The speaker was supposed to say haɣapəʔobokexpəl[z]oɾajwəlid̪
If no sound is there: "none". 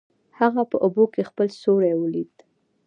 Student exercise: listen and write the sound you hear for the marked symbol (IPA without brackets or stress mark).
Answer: s